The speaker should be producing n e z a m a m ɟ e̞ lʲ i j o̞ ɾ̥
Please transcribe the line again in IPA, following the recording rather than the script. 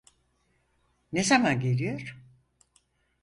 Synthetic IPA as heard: n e z a m a n ɟ e̞ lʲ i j o̞ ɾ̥